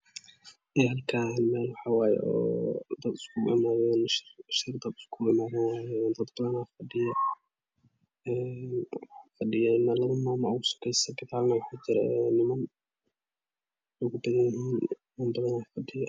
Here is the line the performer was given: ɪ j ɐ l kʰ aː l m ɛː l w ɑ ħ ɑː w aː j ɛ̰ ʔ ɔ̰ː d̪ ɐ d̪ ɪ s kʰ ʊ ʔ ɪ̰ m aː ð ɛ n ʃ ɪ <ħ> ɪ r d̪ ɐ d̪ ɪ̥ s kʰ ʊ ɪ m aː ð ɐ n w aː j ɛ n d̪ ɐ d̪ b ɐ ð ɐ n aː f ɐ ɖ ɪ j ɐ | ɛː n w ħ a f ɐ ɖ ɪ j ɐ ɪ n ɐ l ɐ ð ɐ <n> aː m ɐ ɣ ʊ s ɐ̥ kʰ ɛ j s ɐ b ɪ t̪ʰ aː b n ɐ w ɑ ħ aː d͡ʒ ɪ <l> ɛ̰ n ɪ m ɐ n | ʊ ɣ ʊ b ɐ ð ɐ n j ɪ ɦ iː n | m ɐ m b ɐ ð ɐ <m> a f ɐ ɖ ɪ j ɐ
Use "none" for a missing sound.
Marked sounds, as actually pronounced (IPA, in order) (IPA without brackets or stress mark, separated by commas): ʃ, m, ɾ, n